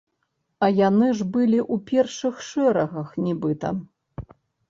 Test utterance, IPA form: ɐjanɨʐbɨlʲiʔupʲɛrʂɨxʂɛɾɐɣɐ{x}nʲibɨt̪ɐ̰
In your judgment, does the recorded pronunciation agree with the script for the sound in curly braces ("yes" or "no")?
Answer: yes